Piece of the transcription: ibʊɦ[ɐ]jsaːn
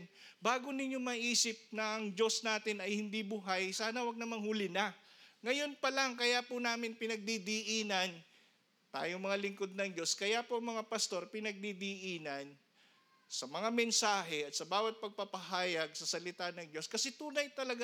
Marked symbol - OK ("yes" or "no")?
no